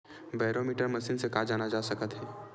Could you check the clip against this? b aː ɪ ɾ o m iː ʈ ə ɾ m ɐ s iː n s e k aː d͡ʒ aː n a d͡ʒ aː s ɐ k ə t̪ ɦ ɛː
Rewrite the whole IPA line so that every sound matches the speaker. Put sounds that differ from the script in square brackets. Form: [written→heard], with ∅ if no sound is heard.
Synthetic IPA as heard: b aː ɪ ɾ o m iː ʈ ə ɾ m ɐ s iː n s e k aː d͡ʒ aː n a d͡ʒ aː s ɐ k ə t̪ ɦ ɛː